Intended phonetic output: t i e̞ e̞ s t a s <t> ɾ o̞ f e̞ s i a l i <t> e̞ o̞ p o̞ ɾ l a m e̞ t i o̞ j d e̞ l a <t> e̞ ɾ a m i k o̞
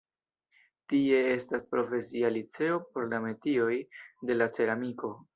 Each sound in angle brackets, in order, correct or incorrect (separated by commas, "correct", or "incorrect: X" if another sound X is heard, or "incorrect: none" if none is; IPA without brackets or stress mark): incorrect: p, incorrect: t͡s, incorrect: t͡s